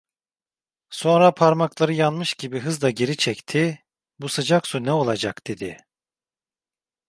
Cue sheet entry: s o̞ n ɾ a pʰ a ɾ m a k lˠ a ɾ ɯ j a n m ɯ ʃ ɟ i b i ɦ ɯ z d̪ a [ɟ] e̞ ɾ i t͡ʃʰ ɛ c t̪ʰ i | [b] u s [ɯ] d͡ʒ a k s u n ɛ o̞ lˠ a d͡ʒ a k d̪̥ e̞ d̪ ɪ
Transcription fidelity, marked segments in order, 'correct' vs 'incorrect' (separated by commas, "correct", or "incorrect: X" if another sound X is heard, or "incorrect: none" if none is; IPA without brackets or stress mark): correct, correct, correct